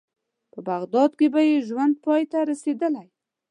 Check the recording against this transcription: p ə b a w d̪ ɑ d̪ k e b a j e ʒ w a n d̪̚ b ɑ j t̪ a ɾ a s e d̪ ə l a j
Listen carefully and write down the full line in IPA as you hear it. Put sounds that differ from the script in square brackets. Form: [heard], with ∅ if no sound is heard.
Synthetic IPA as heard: p ə b a [ɣ] d̪ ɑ d̪ k e b a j e ʒ w a n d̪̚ [p] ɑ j t̪ a ɾ a s e d̪ ə l a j